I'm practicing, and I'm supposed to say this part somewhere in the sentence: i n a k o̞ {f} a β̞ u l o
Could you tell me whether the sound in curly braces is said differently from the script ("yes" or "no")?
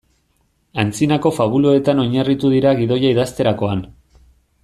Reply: no